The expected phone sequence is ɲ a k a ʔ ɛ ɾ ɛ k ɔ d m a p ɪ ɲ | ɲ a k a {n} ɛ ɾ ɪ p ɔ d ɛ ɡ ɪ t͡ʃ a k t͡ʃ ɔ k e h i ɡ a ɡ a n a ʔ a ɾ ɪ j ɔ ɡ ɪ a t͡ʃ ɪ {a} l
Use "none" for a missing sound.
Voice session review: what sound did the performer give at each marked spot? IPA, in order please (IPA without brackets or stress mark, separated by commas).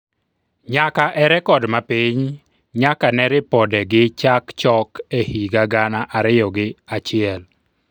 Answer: n, ɛ